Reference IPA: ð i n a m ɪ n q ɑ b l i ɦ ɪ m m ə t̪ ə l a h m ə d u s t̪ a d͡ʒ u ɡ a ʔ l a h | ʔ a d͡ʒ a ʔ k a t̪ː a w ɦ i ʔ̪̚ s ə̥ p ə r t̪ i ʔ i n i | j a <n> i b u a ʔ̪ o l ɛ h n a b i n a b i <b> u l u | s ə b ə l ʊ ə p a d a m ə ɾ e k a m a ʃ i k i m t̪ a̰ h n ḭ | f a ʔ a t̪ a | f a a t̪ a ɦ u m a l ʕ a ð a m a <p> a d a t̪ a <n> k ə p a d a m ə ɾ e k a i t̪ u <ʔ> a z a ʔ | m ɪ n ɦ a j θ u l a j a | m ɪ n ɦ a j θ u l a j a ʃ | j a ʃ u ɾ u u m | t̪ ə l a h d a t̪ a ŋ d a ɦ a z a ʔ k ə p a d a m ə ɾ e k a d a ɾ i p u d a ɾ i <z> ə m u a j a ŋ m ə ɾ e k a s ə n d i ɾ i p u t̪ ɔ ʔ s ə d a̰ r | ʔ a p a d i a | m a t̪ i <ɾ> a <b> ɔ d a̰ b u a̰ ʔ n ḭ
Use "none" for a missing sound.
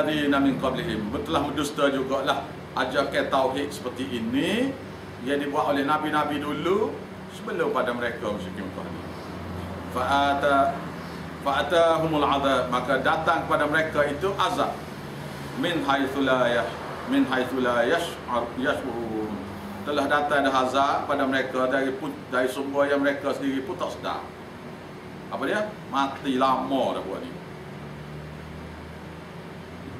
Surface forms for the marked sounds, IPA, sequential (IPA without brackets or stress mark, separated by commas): d, d, k, ŋ, ʔ, s, l, m